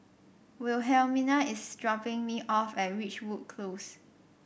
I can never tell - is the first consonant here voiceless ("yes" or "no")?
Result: no